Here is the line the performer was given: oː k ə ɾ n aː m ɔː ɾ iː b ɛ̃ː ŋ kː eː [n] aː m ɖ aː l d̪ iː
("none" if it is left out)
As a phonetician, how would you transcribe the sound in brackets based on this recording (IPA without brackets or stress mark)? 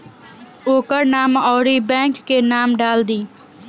n